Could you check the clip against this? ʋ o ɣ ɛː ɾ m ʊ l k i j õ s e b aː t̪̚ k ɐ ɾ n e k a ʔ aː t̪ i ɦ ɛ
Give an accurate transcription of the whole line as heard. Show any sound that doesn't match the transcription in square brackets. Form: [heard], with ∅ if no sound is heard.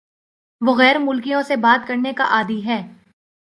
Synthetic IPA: ʋ o ɣ ɛː ɾ m ʊ l k i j õ s e b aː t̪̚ k ɐ ɾ n e k a ʔ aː [d̪] i ɦ [ɛː]